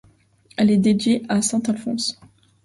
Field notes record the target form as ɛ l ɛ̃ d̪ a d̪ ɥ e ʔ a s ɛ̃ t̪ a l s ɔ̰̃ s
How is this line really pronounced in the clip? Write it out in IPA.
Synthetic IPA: ɛ l ɛ d̪ e d̪ ɥ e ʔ a s ɛ̃ t̪ a l f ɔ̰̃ s